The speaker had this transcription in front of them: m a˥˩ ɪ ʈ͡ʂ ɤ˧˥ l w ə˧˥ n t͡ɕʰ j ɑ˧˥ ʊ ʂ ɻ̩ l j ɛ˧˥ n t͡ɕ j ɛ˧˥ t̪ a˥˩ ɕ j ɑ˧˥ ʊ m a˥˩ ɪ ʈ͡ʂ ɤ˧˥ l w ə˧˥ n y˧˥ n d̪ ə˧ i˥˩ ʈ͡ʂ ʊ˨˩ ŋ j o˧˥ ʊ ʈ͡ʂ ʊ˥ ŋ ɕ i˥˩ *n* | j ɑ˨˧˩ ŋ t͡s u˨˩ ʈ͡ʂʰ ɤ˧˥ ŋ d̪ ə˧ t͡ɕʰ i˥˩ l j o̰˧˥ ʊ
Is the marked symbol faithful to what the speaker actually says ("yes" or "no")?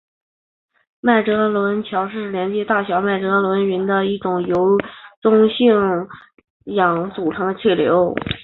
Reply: no